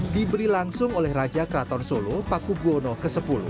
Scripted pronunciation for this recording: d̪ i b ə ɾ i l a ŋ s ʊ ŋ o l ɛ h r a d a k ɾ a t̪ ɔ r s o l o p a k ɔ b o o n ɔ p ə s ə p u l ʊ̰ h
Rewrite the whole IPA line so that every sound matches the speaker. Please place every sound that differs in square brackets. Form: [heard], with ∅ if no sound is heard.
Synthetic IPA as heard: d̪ i b ə ɾ i l a ŋ s ʊ ŋ o l ɛ h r a [d͡ʒ] a k ɾ a t̪ ɔ r s o l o p a k [u] b [u] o n ɔ [k] ə s ə p u l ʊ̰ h